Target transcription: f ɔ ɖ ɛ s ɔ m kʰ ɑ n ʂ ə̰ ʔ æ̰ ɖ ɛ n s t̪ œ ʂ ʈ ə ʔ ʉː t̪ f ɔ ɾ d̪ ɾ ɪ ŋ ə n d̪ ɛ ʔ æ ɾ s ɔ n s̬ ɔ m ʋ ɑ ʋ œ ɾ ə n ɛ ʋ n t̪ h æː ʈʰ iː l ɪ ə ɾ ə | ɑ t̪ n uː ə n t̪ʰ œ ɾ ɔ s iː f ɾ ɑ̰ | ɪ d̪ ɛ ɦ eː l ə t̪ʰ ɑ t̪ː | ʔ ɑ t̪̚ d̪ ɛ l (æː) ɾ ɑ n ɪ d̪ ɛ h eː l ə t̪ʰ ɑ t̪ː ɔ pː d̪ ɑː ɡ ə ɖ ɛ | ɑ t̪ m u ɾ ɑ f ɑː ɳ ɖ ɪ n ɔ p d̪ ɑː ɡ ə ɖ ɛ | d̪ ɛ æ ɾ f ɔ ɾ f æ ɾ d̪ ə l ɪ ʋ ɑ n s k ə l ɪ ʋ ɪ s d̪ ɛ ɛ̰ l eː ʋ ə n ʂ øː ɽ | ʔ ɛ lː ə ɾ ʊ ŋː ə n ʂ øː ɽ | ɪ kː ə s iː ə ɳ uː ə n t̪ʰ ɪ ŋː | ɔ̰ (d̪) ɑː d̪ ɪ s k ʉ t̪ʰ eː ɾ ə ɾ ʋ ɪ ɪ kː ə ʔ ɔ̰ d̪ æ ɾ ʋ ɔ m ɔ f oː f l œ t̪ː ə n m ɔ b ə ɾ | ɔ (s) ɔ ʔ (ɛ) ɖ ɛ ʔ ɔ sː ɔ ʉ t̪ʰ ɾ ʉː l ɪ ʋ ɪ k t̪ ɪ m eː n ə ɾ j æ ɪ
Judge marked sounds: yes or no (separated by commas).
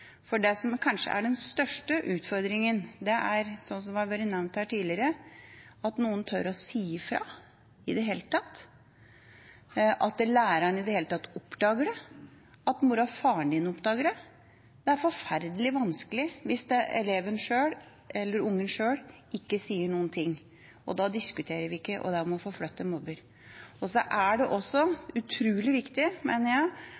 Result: yes, yes, yes, no